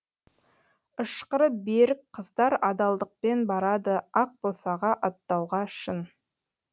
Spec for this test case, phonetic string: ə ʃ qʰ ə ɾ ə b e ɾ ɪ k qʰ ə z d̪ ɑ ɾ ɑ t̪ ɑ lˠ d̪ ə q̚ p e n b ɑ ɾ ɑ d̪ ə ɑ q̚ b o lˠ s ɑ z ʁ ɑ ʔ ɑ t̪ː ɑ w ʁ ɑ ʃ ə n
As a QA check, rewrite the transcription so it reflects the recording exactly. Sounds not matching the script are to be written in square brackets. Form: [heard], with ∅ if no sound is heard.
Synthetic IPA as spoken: ə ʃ [q] ə ɾ ə b e ɾ ɪ k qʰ ə z d̪ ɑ ɾ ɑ [d̪] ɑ lˠ d̪ ə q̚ p e n b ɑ ɾ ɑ d̪ ə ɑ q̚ b o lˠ s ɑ [∅] ʁ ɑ ʔ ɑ t̪ː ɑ w ʁ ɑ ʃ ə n

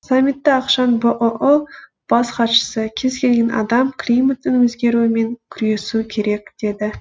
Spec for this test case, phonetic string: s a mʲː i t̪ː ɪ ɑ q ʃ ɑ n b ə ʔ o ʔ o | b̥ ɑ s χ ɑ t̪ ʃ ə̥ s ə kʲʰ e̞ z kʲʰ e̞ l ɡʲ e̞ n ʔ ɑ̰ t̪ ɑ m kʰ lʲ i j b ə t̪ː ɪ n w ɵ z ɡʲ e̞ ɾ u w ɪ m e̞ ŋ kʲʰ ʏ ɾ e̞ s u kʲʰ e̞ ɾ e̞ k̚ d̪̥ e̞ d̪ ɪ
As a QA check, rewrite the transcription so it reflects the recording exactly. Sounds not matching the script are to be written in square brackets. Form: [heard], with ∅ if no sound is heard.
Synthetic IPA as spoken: s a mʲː i t̪ː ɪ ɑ q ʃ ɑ n b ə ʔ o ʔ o | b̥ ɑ s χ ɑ t̪ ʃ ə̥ s ə kʲʰ e̞ z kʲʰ e̞ l ɡʲ e̞ n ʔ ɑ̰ [d̪] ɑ m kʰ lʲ i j [m] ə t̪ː ɪ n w ɵ z ɡʲ e̞ ɾ u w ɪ m e̞ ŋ kʲʰ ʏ ɾ e̞ s u kʲʰ e̞ ɾ e̞ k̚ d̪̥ e̞ d̪ ɪ

